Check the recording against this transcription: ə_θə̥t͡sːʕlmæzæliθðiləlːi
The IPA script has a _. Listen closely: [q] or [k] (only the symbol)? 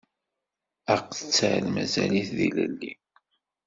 q